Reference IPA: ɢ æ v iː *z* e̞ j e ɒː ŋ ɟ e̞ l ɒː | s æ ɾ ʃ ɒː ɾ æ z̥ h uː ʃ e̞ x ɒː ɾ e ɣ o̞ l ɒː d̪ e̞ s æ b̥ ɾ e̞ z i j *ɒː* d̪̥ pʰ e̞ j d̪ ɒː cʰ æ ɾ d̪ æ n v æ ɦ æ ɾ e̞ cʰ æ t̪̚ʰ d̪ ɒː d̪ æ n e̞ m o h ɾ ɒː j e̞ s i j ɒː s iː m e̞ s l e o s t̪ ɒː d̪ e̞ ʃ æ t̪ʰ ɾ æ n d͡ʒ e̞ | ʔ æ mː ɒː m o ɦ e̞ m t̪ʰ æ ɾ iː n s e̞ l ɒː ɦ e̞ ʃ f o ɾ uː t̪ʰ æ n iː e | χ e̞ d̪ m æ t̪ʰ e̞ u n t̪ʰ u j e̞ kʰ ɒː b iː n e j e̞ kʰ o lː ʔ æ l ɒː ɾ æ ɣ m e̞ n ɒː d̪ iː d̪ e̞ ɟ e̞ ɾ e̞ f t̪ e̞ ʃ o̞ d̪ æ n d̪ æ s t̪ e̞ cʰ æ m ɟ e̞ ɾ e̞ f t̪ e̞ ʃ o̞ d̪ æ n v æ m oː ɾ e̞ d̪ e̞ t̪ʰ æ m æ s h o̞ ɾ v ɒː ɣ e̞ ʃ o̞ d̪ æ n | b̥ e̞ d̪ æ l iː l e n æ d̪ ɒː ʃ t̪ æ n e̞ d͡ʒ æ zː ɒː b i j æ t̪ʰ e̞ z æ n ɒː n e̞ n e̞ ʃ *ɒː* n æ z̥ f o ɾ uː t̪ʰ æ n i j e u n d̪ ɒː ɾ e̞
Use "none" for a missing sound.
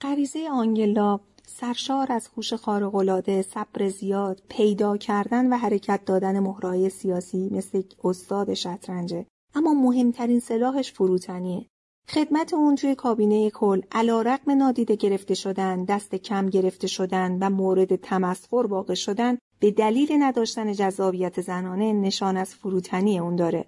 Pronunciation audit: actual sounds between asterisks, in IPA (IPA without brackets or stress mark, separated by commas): z, ɒː, ɒː